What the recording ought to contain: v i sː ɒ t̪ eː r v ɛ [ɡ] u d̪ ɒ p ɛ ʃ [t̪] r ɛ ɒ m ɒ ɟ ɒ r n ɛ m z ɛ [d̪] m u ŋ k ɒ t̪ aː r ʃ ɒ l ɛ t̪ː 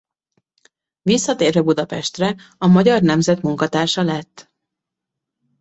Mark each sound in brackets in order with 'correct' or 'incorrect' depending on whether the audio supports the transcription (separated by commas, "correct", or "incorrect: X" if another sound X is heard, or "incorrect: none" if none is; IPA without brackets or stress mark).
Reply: incorrect: b, correct, incorrect: t̪